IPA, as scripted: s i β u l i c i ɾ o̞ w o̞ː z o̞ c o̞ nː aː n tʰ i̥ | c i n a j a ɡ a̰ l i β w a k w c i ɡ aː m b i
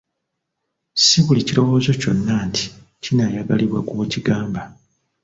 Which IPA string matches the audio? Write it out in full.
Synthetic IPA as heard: s i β u l i c i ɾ o̞ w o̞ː z o̞ c o̞ nː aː n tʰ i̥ | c i n a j a ɡ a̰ l i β w a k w c i ɡ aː m b a